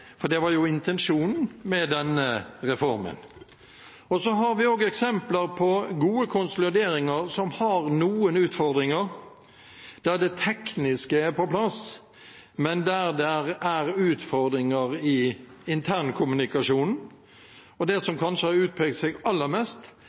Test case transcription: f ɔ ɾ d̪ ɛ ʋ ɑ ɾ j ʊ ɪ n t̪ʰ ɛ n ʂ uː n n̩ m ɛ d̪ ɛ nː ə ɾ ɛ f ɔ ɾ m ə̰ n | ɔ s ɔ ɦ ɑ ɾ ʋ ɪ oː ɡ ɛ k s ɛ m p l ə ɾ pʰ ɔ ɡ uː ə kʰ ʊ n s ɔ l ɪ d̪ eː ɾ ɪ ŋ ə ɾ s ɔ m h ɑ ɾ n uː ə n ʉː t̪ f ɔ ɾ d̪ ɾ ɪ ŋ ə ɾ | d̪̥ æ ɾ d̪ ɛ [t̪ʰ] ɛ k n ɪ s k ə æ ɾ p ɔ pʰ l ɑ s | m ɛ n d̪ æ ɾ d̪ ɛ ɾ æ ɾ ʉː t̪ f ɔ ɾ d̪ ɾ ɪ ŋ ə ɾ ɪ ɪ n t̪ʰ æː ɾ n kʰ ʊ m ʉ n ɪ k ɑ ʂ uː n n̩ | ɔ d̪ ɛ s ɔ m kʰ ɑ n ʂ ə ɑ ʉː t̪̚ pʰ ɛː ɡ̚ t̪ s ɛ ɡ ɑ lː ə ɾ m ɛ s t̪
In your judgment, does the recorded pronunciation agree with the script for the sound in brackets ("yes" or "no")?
yes